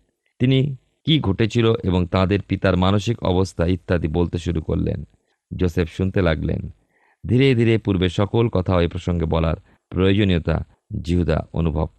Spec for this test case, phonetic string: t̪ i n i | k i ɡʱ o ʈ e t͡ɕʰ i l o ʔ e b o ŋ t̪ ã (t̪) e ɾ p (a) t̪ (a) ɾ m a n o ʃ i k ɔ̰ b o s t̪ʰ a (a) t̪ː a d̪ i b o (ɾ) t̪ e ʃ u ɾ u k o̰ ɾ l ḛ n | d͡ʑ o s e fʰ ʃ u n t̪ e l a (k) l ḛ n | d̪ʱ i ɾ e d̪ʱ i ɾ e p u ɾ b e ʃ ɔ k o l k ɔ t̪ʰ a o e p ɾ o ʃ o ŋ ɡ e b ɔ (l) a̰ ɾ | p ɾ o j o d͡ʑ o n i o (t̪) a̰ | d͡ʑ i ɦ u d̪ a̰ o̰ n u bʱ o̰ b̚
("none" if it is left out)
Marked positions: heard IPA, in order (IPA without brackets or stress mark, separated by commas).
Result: d̪, i, a, i, l, ɡ, l, t̪